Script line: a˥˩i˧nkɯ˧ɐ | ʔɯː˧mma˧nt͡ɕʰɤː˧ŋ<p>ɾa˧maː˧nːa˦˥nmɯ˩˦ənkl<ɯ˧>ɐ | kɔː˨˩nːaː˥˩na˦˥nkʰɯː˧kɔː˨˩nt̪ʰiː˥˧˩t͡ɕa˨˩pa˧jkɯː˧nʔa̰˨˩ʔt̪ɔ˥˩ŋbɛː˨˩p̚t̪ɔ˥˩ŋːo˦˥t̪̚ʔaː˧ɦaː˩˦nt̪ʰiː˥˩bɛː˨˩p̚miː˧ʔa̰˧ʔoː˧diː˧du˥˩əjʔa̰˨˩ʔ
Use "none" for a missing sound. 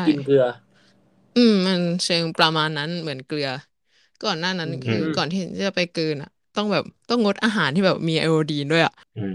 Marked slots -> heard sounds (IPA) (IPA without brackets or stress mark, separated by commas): p, ɯ˧